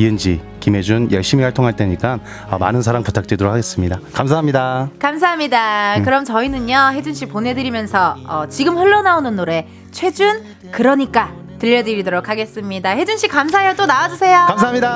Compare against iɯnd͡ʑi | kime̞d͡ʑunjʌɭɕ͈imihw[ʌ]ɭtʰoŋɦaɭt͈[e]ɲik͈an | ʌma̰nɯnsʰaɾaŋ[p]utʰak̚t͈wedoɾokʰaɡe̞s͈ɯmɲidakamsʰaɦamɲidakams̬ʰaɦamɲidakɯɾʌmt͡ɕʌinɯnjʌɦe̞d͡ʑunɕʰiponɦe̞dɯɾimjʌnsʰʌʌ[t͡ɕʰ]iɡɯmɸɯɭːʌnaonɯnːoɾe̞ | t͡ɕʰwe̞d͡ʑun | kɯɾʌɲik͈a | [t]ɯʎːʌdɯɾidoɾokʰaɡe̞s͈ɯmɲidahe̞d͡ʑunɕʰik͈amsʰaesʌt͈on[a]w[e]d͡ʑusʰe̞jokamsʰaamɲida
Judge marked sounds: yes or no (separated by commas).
no, yes, yes, no, yes, yes, no